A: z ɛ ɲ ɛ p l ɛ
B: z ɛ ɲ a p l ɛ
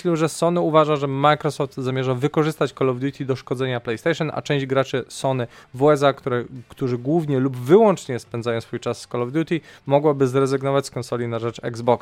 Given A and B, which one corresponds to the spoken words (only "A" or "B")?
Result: B